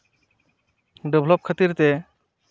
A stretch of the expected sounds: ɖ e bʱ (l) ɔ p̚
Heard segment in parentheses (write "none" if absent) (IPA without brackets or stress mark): l